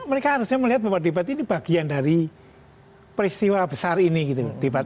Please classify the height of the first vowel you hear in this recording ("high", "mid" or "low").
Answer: mid